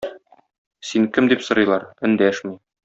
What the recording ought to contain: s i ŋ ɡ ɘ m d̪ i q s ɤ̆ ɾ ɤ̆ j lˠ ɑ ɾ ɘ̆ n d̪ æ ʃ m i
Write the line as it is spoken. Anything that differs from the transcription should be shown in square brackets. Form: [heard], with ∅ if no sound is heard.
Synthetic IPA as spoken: s i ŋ [k] ɘ m d̪ i [p] s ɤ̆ ɾ ɤ̆ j lˠ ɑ ɾ ɘ̆ n d̪ æ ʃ m i